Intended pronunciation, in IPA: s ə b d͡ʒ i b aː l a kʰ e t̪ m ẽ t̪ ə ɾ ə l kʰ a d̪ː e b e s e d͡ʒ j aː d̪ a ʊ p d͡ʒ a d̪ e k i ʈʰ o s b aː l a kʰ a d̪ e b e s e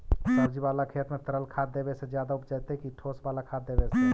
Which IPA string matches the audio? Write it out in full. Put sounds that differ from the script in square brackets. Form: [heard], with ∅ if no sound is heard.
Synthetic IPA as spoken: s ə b d͡ʒ i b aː l a kʰ e t̪ m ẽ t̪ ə ɾ ə l kʰ a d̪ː e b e s e d͡ʒ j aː d̪ a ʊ p d͡ʒ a [t̪] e k i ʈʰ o s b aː l a kʰ a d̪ e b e s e